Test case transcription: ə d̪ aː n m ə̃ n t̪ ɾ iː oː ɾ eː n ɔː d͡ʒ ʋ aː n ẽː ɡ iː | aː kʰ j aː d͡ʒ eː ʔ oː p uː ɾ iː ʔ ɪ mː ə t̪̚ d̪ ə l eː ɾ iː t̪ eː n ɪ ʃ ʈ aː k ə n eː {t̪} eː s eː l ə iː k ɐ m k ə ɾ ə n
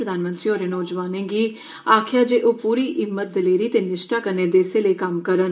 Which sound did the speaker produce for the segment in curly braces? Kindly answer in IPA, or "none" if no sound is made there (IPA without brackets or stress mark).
d̪